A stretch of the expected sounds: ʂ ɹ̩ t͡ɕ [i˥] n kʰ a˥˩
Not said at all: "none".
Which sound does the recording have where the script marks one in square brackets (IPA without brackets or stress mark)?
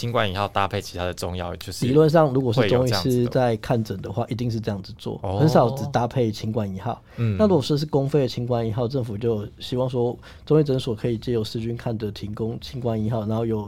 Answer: y˥